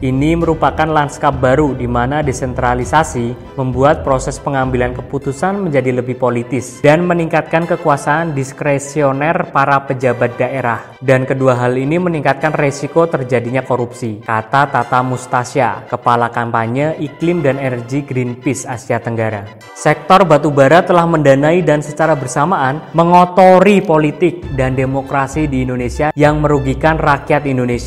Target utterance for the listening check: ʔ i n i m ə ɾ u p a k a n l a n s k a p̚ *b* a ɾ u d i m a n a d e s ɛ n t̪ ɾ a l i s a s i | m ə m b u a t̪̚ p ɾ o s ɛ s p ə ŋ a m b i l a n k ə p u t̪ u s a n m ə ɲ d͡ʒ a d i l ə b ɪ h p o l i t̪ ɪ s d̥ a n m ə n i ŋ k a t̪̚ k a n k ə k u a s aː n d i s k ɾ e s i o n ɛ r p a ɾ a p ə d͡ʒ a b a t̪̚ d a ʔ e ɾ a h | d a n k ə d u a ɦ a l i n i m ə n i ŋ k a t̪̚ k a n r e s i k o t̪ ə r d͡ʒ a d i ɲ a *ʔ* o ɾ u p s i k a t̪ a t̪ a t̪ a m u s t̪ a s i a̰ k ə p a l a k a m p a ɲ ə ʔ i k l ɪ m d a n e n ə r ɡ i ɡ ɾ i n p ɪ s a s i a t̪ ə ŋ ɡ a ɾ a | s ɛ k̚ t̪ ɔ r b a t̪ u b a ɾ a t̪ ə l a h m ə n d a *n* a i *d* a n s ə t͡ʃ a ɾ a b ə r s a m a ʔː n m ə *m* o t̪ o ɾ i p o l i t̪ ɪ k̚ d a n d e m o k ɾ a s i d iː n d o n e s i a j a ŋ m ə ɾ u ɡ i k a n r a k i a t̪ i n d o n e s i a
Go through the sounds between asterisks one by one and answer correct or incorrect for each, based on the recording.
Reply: correct, incorrect: k, correct, correct, incorrect: ŋ

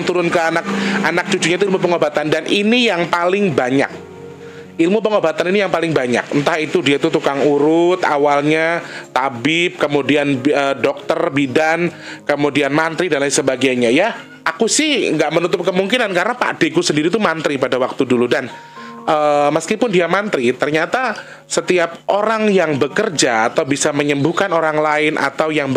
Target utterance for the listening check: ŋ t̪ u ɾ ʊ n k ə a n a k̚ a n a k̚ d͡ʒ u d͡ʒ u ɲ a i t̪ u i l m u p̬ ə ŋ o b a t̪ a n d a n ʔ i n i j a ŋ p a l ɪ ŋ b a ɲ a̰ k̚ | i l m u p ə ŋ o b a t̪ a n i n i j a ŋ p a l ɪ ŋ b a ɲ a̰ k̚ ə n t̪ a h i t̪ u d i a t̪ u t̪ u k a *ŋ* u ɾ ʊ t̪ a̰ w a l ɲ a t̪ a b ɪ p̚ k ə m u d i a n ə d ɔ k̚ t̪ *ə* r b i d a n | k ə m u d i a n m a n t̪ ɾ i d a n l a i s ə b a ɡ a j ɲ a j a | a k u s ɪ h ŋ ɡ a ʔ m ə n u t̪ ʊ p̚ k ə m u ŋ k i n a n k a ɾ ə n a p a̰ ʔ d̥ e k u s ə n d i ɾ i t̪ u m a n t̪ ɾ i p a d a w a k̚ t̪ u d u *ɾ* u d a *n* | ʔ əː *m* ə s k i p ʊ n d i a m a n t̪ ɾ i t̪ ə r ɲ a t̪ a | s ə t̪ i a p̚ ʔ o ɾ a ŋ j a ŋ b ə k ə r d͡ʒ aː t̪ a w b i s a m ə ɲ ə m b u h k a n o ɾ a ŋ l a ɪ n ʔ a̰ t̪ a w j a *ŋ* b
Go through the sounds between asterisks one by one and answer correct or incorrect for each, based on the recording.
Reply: correct, correct, incorrect: l, correct, correct, correct

